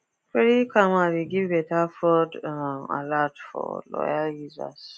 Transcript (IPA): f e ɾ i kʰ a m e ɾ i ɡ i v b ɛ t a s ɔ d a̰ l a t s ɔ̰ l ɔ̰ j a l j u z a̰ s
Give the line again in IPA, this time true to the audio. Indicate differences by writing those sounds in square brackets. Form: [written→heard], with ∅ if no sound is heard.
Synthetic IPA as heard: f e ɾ i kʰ a m [e→a] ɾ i ɡ i v b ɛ t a [s→f] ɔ d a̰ l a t [s→f] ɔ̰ l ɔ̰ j a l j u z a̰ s